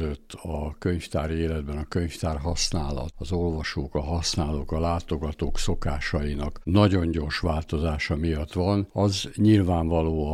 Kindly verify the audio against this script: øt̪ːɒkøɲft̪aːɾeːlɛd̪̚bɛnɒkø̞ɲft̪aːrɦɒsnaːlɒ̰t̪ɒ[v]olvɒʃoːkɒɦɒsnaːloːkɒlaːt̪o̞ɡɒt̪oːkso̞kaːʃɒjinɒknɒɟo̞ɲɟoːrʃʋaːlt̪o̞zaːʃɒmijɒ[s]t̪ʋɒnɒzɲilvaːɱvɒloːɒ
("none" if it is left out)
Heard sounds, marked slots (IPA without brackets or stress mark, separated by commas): z, none